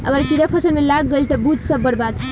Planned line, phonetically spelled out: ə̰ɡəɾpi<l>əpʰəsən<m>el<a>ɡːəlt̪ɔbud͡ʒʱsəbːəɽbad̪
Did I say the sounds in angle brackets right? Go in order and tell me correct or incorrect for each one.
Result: incorrect, correct, correct

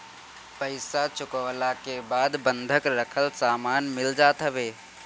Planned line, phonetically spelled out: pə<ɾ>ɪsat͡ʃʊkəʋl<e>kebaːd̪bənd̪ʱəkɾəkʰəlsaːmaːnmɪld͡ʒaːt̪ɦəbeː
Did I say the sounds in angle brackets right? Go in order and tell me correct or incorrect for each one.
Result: incorrect, incorrect

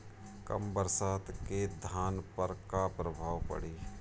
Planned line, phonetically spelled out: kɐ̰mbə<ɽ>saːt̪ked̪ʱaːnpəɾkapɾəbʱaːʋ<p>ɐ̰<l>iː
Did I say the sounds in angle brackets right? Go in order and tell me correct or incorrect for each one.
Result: incorrect, correct, incorrect

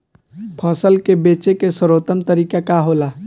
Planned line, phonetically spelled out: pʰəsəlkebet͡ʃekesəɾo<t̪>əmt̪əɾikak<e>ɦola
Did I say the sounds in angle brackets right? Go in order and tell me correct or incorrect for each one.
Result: correct, incorrect

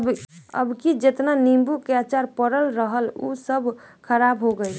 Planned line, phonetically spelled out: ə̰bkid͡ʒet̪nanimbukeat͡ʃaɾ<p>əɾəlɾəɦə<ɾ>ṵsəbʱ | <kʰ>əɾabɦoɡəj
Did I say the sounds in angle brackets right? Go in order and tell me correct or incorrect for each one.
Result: correct, incorrect, correct

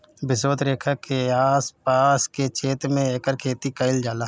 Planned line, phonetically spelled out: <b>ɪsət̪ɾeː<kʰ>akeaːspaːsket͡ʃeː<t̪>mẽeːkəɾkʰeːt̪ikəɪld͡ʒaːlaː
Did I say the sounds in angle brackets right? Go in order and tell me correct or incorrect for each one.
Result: correct, correct, correct

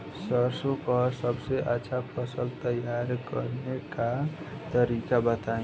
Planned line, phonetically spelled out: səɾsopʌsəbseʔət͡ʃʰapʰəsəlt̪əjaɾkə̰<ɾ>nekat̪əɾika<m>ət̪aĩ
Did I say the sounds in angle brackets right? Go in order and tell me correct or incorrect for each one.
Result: correct, incorrect

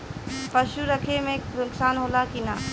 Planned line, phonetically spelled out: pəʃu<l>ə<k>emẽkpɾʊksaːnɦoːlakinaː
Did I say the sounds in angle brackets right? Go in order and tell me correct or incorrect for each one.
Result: incorrect, incorrect

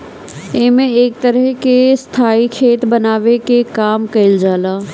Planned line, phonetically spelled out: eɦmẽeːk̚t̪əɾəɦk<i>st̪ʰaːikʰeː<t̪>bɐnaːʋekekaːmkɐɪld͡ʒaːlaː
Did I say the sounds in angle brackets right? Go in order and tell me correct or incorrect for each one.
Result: incorrect, correct

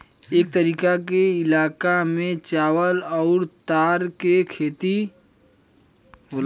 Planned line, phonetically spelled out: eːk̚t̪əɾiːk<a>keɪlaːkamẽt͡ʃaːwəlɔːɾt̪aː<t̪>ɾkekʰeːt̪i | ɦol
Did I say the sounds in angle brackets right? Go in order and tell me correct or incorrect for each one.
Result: correct, incorrect

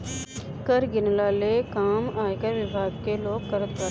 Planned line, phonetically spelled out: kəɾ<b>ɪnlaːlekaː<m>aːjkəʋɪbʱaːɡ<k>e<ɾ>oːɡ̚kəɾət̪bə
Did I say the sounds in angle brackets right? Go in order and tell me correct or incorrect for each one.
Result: incorrect, correct, correct, incorrect

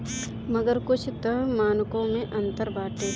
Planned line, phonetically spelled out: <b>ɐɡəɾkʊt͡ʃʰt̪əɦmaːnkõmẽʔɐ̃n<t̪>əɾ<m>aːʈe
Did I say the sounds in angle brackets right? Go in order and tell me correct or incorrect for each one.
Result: incorrect, correct, incorrect

